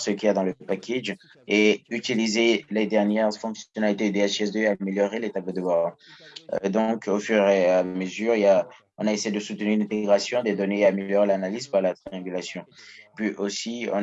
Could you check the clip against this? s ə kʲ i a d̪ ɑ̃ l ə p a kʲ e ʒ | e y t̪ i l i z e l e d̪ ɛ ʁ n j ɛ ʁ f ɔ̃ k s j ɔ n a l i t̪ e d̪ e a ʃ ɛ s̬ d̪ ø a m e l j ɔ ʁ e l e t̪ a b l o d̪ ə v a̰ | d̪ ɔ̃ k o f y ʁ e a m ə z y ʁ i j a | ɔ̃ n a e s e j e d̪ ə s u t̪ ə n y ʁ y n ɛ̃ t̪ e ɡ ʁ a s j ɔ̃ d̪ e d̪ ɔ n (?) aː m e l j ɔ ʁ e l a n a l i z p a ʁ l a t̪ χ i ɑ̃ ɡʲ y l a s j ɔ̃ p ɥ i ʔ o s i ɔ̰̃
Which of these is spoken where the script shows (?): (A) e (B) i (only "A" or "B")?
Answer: A